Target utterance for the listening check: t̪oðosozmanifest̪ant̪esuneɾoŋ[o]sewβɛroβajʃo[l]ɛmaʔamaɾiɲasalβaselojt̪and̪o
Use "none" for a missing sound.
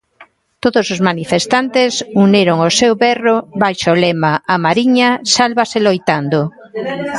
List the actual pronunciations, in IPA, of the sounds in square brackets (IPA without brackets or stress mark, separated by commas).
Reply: o, l